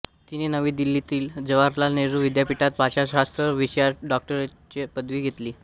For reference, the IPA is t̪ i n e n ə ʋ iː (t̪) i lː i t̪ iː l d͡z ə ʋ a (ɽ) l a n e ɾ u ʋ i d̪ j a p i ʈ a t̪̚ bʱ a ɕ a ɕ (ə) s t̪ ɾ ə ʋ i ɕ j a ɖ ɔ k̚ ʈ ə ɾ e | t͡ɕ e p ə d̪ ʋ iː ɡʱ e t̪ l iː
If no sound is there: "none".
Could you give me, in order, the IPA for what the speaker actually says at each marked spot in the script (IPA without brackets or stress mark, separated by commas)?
d̪, ɾ, a